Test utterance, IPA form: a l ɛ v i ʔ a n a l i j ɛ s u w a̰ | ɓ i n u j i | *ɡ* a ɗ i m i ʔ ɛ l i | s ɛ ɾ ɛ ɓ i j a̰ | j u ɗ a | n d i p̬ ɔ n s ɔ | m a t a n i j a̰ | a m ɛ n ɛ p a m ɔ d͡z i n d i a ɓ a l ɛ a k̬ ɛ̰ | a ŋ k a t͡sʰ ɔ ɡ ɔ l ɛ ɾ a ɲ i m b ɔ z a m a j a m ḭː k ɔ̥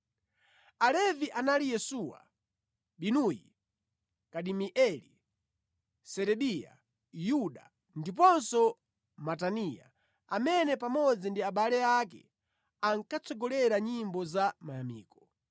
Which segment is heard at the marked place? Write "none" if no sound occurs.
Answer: k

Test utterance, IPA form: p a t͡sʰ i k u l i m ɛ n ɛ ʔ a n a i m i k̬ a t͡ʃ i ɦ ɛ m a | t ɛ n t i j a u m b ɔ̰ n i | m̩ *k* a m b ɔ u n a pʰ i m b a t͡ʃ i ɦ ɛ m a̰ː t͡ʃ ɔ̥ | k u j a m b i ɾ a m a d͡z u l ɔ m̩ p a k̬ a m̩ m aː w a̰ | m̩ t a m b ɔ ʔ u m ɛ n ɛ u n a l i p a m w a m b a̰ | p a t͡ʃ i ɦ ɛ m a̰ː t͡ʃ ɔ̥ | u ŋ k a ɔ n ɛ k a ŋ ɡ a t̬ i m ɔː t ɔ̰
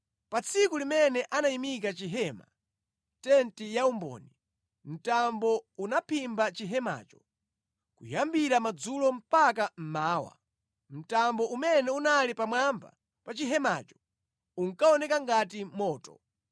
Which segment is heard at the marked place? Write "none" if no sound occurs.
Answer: t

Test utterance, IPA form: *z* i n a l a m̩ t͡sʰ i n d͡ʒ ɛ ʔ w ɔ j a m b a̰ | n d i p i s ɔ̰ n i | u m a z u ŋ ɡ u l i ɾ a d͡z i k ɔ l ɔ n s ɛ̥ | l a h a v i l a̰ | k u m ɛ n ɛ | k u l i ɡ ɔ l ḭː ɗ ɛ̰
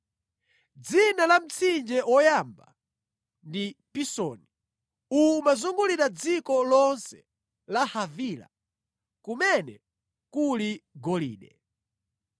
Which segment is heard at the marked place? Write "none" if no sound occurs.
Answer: d͡z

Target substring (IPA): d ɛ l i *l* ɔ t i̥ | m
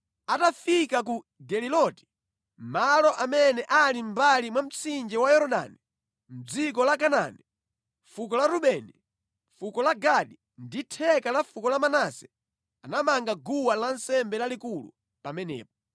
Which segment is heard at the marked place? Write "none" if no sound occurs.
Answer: l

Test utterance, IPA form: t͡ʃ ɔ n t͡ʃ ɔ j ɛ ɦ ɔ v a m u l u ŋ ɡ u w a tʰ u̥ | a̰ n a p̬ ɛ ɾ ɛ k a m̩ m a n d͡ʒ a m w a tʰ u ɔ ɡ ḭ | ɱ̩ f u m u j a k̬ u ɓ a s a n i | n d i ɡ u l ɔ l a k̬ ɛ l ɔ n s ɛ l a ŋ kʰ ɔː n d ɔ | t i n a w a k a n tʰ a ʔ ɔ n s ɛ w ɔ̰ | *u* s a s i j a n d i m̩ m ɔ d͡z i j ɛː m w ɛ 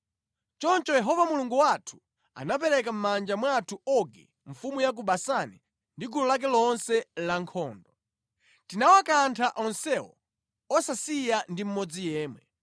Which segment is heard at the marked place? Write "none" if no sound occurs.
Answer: ɔ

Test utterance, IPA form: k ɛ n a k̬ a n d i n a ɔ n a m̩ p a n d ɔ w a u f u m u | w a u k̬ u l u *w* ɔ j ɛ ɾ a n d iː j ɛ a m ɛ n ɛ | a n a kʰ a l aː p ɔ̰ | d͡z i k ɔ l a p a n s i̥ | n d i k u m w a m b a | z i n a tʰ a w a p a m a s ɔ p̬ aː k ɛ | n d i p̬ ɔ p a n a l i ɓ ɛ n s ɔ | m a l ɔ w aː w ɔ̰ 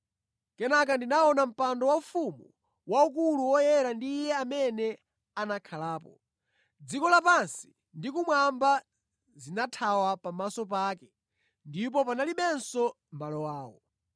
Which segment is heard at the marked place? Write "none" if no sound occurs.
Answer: w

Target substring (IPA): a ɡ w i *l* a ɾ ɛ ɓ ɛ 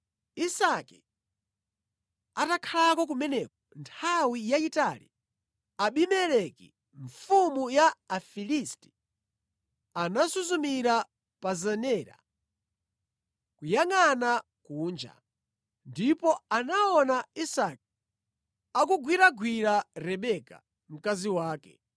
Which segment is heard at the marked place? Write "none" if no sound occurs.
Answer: ɾ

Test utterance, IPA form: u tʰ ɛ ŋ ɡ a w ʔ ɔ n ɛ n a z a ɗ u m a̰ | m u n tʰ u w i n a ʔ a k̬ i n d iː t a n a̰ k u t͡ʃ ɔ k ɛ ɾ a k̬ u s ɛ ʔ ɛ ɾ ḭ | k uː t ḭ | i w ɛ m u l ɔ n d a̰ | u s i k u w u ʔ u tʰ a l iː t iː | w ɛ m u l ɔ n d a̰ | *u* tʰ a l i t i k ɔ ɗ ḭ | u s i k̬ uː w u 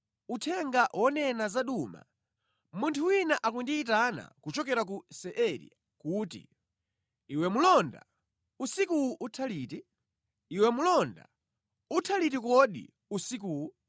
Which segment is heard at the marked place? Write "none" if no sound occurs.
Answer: u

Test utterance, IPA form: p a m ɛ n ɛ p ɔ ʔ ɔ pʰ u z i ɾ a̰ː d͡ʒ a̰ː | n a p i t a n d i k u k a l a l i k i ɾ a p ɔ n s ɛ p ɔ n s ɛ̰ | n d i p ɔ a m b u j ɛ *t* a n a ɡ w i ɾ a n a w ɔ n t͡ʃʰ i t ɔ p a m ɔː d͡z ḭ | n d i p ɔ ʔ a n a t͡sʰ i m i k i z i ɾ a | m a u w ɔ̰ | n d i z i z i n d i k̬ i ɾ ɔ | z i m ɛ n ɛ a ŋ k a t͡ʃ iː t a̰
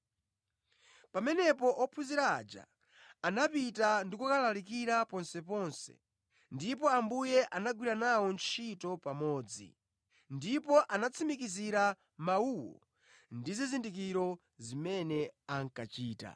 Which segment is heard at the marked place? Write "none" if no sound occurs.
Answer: ʔ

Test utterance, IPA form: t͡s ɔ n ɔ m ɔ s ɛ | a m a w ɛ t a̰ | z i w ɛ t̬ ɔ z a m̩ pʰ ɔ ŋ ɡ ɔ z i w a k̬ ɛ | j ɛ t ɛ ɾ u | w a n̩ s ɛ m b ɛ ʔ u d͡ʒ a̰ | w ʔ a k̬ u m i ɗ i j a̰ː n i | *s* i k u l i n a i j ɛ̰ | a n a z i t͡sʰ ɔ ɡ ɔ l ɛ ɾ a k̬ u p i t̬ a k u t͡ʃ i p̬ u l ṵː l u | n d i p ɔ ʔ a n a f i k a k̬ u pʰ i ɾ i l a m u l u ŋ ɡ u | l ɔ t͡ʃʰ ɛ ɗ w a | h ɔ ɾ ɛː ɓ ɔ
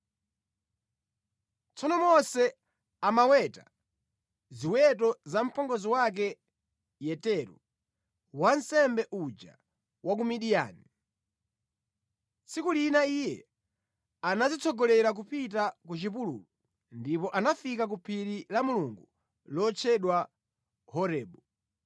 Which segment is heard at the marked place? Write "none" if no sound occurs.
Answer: s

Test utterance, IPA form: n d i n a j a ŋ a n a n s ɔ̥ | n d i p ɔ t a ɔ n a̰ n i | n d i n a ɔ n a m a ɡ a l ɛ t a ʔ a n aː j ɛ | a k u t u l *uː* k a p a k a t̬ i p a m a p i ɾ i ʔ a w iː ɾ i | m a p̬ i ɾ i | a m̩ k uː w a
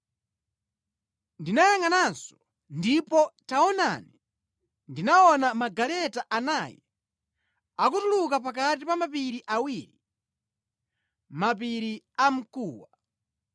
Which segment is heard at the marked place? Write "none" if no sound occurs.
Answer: u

